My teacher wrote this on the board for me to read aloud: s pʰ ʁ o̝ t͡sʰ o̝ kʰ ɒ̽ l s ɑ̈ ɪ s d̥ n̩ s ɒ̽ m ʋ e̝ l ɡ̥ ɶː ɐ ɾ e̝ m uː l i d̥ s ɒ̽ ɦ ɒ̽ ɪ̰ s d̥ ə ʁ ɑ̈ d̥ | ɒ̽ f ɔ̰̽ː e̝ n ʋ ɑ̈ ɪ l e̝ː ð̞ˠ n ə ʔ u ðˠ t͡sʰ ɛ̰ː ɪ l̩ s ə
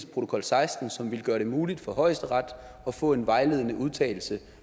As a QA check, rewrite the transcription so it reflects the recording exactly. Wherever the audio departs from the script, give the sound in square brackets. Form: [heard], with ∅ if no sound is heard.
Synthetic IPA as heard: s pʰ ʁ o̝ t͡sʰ o̝ kʰ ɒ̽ l s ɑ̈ ɪ s d̥ n̩ s ɒ̽ m ʋ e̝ l ɡ̥ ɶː ɐ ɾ e̝ m uː l i d̥ [f] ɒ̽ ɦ ɒ̽ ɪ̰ s d̥ ə ʁ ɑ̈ d̥ | ɒ̽ f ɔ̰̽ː e̝ n ʋ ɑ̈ ɪ l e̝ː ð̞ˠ n ə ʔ u ðˠ t͡sʰ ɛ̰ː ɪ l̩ s ə